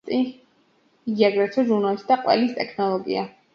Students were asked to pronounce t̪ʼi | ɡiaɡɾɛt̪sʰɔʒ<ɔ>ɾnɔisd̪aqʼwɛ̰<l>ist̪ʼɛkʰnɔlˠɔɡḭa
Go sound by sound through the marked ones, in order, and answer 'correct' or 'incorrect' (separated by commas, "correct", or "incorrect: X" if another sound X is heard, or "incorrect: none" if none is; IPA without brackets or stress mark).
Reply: incorrect: u, correct